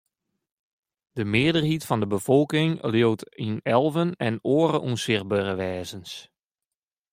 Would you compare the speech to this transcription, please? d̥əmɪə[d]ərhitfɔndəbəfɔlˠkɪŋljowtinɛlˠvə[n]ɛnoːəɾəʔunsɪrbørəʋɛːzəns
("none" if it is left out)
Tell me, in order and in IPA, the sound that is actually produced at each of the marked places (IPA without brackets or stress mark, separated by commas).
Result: d, n